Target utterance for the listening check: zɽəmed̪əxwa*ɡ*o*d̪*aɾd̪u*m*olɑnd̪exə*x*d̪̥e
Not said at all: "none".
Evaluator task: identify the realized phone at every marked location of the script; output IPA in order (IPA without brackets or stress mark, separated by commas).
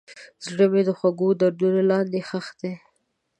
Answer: ɡ, d̪, n, x